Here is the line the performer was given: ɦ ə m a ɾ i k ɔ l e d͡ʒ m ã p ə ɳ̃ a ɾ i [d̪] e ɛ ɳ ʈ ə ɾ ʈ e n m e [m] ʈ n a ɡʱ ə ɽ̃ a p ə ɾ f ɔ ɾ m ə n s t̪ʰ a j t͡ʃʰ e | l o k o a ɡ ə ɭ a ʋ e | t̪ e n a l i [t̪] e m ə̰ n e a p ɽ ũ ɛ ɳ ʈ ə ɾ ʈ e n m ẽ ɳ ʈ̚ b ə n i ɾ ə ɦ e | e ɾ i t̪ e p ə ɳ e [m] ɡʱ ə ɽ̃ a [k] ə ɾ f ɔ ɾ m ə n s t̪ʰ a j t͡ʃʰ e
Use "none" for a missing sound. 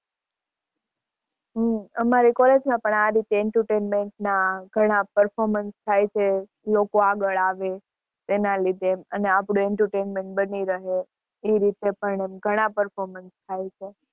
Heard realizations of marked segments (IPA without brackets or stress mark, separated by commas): t̪, ɳ, d̪, m, p